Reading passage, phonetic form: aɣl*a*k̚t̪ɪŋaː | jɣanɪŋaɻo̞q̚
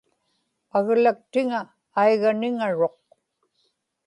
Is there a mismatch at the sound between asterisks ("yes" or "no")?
no